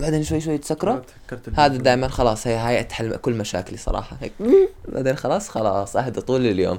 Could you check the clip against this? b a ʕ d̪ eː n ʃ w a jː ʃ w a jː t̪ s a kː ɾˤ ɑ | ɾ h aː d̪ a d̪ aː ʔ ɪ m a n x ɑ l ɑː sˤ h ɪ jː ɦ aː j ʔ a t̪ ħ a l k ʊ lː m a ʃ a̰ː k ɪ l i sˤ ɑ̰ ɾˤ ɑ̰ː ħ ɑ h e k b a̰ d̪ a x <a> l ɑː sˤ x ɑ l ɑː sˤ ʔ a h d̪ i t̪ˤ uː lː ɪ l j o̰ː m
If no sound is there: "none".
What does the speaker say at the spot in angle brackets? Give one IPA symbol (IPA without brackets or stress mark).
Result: ɑ